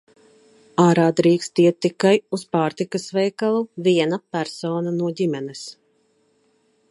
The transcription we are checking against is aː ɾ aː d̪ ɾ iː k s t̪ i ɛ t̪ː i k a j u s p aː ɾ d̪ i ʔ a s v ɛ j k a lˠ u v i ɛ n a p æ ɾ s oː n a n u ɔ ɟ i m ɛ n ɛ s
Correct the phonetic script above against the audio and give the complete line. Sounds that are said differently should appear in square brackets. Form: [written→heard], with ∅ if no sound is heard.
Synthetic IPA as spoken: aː ɾ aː d̪ ɾ iː k s t̪ i ɛ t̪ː i k a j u s p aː ɾ [d̪→t̪] i [ʔ→k] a s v ɛ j k a lˠ u v i ɛ n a p æ ɾ s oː n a n u ɔ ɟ i m ɛ n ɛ s